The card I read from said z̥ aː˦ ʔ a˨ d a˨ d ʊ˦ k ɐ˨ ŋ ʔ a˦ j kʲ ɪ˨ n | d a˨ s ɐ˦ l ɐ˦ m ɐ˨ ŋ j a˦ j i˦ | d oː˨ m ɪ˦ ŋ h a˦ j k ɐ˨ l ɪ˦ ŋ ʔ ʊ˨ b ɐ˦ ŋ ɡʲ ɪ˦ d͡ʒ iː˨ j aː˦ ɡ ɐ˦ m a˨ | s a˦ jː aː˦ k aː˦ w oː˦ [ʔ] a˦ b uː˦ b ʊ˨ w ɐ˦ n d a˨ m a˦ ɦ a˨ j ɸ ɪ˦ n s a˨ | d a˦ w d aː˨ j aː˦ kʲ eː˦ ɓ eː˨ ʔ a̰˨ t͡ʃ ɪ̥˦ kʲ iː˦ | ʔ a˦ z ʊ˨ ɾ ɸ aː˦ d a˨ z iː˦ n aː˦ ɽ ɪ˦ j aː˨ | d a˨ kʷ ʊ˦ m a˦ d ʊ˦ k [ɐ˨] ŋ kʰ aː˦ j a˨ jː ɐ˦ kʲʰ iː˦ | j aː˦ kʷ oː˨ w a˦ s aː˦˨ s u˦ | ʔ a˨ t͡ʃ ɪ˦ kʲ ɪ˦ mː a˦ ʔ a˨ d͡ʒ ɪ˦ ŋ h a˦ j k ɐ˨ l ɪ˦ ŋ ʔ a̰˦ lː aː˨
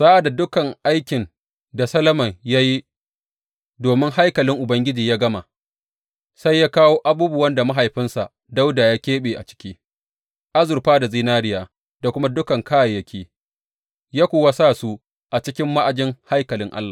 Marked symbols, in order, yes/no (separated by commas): yes, yes